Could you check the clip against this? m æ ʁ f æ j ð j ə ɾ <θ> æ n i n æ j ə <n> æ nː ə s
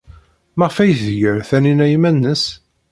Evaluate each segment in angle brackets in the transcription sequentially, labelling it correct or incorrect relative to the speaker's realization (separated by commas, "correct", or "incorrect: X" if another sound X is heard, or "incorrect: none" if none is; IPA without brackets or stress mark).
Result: correct, incorrect: m